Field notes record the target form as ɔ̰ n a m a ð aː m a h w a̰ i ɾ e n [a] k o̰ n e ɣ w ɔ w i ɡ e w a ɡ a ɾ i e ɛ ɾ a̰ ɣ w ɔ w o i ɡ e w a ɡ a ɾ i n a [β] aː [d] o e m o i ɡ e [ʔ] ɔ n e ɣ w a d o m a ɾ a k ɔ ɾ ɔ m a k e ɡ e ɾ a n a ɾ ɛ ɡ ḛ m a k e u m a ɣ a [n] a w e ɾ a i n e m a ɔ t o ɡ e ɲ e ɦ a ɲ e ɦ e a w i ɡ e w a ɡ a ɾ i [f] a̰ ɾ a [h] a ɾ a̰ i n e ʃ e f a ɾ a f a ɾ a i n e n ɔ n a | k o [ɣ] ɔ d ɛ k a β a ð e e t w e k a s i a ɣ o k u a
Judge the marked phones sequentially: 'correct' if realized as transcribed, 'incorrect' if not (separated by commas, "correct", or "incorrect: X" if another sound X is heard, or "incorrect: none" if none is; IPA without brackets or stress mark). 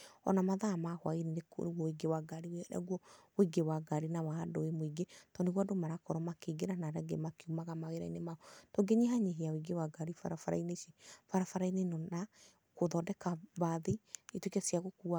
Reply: incorrect: e, incorrect: w, correct, incorrect: t, incorrect: m, correct, incorrect: f, incorrect: ð